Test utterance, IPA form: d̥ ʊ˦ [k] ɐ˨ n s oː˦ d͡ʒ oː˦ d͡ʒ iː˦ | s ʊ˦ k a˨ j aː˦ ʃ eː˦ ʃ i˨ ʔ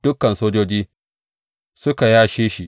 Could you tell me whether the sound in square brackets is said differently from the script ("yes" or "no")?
no